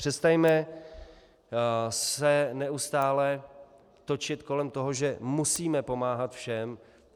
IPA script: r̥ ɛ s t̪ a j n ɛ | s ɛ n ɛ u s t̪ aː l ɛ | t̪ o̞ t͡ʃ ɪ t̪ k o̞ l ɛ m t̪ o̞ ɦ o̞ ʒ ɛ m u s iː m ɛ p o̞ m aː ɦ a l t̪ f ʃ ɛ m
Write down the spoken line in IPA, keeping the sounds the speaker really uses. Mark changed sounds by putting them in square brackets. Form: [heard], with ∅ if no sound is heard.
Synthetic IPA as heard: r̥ ɛ s t̪ a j [m] ɛ | s ɛ n ɛ u s t̪ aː l ɛ | t̪ o̞ t͡ʃ ɪ t̪ k o̞ l ɛ m t̪ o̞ ɦ o̞ ʒ ɛ m u s iː m ɛ p o̞ m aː ɦ a [∅] t̪ f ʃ ɛ m